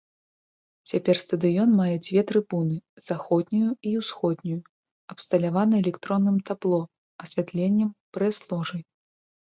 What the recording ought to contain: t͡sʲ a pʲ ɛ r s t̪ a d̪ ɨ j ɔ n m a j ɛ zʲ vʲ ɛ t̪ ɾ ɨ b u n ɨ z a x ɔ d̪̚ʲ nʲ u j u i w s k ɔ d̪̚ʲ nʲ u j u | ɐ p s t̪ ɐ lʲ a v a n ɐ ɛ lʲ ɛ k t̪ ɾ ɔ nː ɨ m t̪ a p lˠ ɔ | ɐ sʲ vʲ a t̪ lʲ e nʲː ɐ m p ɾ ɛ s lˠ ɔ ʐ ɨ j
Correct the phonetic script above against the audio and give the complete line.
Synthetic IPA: t͡sʲ a pʲ ɛ r s t̪ ɐ d̪ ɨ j ɔ n m a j ɛ d͡zʲ vʲ ɛ t̪ ɾ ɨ b u n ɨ z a x ɔ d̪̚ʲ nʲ u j u i w s x ɔ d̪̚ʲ nʲ u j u | ɐ p s t̪ ɐ lʲ a v a n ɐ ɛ lʲ ɛ k t̪ ɾ ɔ nː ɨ m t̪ a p lˠ ɔ | ɐ sʲ vʲ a t̪ lʲ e nʲː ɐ m p ɾ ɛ s lˠ ɔ ʐ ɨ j